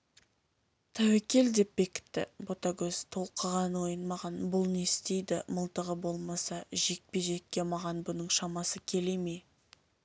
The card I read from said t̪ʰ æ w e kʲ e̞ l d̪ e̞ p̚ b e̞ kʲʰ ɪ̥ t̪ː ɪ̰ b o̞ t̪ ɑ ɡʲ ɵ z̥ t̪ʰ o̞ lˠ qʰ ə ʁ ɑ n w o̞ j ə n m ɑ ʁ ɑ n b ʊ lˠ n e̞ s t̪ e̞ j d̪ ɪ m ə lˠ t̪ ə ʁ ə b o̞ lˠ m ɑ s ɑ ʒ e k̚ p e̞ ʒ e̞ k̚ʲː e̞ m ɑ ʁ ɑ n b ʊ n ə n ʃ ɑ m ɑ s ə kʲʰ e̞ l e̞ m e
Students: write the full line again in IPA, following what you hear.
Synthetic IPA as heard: t̪ʰ æ w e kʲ e̞ l d̪ e̞ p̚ b e̞ kʲ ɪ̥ t̪ː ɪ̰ b o̞ t̪ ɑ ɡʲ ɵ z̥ t̪ʰ o̞ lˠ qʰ ə ʁ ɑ n w o̞ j ə n m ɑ ʁ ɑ n b ʊ lˠ n e̞ s t̪ e̞ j d̪ ɪ m ə lˠ t̪ ə ʁ ə b o̞ lˠ m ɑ s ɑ ʒ e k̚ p e̞ ʒ e̞ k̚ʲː e̞ m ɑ ʁ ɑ n b ʊ n ə ɴ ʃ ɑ m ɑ s ə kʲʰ e̞ l e̞ m e